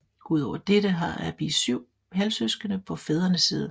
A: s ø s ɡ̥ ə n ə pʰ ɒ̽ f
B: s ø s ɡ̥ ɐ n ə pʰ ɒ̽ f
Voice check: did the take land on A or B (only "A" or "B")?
A